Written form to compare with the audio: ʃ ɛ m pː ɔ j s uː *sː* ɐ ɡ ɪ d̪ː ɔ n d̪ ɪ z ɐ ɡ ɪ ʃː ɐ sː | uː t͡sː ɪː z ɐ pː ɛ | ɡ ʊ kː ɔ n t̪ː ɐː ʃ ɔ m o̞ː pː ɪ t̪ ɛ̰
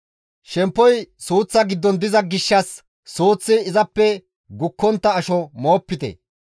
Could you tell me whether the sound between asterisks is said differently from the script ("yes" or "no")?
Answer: yes